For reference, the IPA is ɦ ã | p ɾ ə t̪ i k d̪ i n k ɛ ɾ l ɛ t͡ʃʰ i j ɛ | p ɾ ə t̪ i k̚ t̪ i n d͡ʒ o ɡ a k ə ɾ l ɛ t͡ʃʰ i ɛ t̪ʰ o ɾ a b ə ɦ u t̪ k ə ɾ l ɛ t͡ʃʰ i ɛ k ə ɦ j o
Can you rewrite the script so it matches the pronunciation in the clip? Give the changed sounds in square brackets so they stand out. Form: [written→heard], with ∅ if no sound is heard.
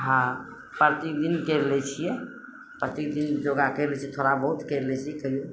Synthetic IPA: ɦ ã | p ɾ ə t̪ i k d̪ i n k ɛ ɾ l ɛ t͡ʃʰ i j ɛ | p ɾ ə t̪ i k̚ [t̪→d̪] i n d͡ʒ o ɡ a k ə ɾ l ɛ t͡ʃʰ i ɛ t̪ʰ o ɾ a b ə ɦ u t̪ k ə ɾ l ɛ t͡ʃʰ i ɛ k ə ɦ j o